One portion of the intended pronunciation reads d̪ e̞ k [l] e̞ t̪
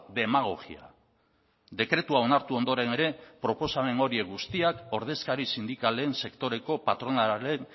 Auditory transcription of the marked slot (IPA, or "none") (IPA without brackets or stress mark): ɾ